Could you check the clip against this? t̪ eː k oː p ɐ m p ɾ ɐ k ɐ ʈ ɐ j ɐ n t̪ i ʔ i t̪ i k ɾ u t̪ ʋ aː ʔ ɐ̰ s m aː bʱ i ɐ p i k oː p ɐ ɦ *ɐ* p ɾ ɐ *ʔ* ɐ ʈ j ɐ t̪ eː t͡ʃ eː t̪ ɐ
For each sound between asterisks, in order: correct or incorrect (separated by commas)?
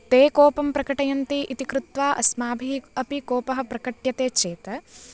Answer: correct, incorrect